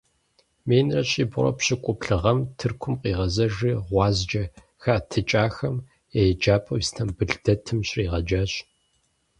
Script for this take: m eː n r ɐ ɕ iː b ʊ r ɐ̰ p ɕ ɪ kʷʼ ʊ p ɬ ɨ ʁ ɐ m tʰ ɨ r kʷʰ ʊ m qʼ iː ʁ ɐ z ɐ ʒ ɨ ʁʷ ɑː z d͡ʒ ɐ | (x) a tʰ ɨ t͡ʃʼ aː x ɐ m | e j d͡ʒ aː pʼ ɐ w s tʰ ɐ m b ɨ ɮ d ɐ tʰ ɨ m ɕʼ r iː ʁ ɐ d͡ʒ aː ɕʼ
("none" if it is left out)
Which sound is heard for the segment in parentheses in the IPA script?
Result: x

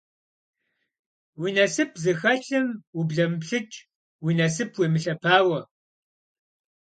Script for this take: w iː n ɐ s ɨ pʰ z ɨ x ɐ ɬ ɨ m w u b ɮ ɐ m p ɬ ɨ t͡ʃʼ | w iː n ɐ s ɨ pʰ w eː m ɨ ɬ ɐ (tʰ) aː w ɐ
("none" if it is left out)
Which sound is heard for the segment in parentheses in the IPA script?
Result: pʰ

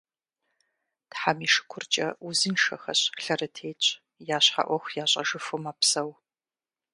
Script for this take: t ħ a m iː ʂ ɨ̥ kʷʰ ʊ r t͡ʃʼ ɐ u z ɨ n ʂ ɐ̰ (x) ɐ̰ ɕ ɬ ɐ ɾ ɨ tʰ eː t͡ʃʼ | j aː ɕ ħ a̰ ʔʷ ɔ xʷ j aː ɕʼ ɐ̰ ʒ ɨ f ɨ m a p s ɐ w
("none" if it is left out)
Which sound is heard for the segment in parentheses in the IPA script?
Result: x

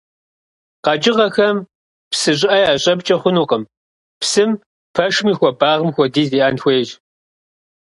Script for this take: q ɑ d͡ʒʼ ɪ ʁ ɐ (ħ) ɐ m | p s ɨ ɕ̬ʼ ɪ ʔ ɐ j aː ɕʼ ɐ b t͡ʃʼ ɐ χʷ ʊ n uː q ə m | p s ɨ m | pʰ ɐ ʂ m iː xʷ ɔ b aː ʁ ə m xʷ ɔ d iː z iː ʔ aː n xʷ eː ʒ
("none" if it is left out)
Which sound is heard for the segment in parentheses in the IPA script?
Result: x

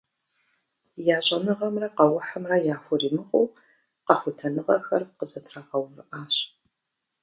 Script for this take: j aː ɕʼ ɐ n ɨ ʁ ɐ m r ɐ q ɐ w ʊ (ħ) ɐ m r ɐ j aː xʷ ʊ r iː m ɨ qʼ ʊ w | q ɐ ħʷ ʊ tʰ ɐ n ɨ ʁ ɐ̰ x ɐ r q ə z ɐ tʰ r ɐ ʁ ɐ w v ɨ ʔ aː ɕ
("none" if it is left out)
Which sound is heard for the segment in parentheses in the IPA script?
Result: ħ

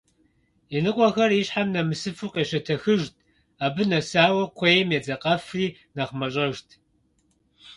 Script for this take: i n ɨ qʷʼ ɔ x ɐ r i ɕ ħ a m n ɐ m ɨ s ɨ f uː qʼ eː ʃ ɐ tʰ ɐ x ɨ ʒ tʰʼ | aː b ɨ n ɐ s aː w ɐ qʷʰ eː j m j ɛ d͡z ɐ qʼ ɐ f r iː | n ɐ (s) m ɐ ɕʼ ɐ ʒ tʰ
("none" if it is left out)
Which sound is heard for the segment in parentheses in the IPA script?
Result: χ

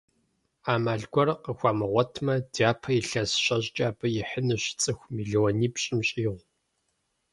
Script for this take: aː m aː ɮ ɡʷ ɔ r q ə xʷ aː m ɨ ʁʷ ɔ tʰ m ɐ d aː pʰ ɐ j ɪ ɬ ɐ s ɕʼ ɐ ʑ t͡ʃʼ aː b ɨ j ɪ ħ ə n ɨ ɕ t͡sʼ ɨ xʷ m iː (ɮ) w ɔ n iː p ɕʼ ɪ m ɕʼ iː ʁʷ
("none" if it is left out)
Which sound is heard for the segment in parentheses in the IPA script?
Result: ɮ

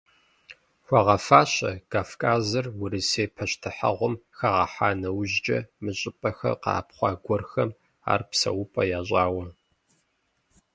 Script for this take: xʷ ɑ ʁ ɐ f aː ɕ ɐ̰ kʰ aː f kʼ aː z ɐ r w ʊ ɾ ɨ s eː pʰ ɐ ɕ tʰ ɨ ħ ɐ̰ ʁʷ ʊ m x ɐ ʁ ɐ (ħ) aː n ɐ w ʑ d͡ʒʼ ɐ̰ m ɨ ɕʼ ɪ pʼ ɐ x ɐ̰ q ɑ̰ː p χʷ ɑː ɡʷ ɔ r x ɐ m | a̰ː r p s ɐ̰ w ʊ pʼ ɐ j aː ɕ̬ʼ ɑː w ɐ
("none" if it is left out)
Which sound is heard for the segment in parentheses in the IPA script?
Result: ħ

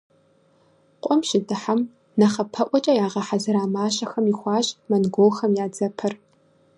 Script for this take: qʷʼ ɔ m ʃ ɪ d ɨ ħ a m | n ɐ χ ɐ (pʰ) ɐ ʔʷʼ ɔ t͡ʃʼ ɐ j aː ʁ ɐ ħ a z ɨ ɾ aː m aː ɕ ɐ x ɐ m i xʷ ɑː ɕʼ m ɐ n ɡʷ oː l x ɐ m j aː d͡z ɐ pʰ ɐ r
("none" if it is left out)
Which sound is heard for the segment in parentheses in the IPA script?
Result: pʰ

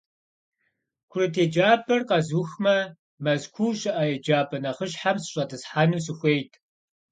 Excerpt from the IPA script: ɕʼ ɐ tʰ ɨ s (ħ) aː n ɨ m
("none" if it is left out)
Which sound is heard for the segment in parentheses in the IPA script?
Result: ħ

